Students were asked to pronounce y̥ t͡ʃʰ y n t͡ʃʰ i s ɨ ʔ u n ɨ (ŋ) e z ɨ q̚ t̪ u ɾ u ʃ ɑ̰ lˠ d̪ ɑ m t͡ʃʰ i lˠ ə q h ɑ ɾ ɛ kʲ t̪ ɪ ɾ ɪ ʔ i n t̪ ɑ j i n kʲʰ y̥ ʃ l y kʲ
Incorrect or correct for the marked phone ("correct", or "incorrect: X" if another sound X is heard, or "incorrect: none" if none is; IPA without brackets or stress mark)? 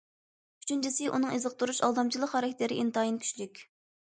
correct